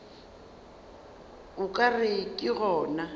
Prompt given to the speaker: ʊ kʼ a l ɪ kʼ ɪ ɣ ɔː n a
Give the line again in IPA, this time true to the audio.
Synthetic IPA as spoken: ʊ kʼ a r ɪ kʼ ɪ ɣ ɔː n a